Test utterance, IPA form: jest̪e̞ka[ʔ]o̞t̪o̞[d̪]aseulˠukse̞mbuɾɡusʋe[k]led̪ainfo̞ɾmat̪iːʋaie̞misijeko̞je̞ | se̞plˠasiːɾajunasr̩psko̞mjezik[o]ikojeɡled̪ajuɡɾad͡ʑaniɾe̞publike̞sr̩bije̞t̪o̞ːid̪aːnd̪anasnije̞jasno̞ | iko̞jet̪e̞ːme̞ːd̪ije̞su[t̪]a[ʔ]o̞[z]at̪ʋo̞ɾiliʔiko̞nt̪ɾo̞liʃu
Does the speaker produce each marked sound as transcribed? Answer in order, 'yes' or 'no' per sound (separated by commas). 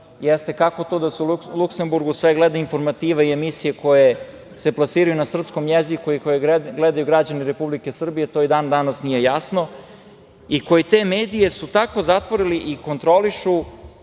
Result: no, yes, no, no, yes, no, yes